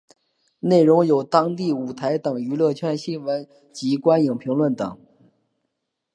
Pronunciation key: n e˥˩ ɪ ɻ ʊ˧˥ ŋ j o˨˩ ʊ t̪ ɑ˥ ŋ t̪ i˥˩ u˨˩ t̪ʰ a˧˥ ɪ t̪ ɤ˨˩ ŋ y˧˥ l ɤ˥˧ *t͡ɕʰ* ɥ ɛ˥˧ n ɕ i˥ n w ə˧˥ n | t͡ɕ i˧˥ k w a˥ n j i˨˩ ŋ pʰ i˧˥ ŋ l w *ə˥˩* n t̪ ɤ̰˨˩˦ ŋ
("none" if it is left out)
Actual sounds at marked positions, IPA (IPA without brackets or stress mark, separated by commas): t͡ɕʰ, ə˥˩